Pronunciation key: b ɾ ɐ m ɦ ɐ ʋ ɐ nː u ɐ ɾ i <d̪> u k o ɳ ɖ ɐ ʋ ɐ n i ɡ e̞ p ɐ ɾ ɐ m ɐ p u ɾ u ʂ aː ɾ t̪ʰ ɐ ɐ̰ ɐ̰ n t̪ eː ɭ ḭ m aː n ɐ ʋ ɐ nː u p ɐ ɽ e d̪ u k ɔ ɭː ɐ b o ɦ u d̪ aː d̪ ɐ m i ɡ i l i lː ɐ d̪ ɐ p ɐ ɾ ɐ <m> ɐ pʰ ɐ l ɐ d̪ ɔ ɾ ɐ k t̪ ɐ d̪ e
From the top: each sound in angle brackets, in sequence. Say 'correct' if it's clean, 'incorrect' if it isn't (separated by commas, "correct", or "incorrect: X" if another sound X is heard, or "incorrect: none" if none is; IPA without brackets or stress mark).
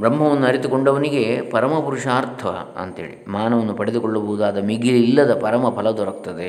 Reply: incorrect: t̪, correct